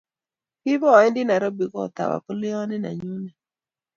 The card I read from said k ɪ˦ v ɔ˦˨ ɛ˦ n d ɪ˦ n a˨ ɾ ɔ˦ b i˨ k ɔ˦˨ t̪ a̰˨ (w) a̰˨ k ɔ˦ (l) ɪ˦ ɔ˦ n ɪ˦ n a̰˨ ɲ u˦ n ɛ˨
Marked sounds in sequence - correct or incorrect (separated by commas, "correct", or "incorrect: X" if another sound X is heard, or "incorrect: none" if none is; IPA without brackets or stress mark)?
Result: correct, correct